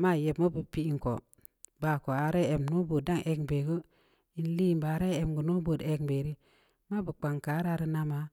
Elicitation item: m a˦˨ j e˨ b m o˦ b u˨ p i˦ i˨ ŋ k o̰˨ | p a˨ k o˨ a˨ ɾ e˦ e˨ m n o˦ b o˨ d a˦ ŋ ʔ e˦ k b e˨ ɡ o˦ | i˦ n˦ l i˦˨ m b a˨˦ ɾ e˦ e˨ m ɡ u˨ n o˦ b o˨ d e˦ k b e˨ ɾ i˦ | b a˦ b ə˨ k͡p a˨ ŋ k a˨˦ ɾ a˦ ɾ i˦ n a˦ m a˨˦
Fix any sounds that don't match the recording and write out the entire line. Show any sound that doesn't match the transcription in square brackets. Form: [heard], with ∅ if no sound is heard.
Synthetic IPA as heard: m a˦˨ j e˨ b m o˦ b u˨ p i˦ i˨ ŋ k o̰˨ | [b] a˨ k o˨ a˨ ɾ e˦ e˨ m n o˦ b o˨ d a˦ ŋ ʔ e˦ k b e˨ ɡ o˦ | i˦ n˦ l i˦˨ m b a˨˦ ɾ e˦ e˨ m ɡ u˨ n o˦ b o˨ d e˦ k b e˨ ɾ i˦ | [m] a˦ b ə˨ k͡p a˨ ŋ k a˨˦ ɾ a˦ ɾ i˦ n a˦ m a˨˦